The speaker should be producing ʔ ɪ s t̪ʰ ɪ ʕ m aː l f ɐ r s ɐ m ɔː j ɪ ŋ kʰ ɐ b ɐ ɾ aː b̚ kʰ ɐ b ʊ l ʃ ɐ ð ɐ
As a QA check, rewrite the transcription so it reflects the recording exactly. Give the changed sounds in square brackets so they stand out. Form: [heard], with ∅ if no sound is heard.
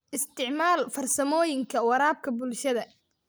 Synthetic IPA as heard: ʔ ɪ s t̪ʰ ɪ ʕ m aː l f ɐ r s ɐ m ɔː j ɪ ŋ kʰ ɐ [w] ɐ ɾ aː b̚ kʰ ɐ b ʊ l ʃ ɐ ð ɐ